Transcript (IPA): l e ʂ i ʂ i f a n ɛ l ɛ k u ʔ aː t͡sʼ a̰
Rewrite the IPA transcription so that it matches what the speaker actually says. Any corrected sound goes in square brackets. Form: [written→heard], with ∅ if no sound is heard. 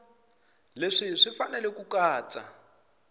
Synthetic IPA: l e ʂ i ʂ i f a n ɛ l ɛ k u [ʔ→k] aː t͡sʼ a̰